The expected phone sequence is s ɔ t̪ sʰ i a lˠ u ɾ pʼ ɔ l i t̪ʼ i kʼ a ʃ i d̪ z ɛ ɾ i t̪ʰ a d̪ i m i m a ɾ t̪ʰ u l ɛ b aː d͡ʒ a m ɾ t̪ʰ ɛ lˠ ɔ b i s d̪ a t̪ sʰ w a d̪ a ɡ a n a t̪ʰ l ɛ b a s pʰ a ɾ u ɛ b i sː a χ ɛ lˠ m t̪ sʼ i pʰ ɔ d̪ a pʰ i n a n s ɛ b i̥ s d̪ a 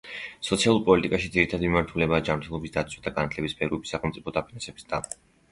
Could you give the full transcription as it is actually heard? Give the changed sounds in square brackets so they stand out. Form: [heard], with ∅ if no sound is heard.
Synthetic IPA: s ɔ t̪ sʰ i a lˠ u ɾ pʼ ɔ l i t̪ʼ i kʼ a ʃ i d̪ z [i] ɾ i t̪ʰ a d̪ i m i m a ɾ t̪ʰ u l ɛ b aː d͡ʒ a m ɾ t̪ʰ ɛ lˠ ɔ b i s d̪ a t̪ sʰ w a d̪ a ɡ a n a t̪ʰ l ɛ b [i] s pʰ [ɛ] ɾ u ɛ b i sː a χ ɛ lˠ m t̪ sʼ i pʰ ɔ d̪ a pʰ i n a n s ɛ b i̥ s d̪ a